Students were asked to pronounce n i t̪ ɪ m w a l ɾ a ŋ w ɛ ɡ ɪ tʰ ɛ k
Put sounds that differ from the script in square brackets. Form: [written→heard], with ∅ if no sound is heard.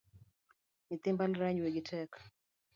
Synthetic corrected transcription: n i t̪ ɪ m [w→b] a l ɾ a [ŋ→ɲ] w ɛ ɡ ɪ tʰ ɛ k